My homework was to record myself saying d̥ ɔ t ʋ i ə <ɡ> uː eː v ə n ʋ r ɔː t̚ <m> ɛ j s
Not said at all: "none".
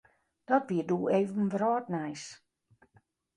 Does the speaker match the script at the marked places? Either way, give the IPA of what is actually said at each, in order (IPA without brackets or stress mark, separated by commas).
d, n